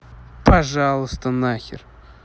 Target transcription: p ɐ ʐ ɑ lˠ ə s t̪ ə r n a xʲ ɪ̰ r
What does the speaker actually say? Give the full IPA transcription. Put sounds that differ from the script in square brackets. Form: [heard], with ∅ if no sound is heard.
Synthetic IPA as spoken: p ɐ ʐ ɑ lˠ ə s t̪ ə [∅] n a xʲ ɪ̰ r